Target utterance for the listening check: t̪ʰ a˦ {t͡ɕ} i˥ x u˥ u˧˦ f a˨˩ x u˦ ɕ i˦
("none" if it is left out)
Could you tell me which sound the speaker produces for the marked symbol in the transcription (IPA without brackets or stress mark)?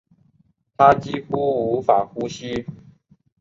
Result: t͡ɕ